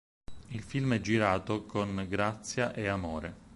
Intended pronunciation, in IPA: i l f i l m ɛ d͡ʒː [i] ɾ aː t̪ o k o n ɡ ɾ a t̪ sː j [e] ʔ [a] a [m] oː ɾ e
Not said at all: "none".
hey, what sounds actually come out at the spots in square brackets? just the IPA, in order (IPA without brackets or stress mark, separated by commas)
i, a, e, m